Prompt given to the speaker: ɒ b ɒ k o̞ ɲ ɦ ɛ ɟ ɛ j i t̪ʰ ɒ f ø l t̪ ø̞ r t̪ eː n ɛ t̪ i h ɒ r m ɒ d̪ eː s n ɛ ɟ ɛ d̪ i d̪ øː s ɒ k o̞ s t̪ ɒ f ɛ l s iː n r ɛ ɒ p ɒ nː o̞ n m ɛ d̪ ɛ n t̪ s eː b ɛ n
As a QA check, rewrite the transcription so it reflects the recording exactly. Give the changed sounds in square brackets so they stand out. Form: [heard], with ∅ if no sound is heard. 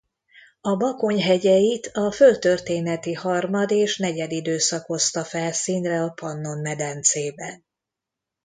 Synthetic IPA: ɒ b ɒ k o̞ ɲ ɦ ɛ ɟ ɛ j i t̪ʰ ɒ f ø l t̪ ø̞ r t̪ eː n ɛ t̪ i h ɒ r m ɒ d̪ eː [ʃ] n ɛ ɟ ɛ d̪ i d̪ øː s ɒ k o̞ s t̪ ɒ f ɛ l s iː n r ɛ ɒ p ɒ nː o̞ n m ɛ d̪ ɛ n t̪ s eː b ɛ n